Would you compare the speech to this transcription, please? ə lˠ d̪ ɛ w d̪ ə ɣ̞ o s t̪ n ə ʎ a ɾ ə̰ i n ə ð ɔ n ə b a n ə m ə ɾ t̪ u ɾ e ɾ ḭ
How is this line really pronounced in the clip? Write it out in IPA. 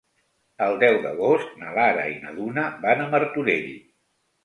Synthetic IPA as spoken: ə lˠ d̪ ɛ w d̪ ə ɣ̞ o s t̪ n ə l a ɾ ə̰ i n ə ð u n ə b a n ə m ə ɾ t̪ u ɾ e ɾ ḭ